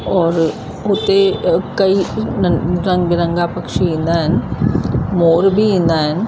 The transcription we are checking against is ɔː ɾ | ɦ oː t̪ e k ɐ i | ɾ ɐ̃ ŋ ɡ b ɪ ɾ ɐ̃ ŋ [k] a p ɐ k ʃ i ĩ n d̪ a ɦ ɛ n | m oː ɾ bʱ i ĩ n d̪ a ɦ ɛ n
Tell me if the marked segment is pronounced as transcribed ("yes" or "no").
no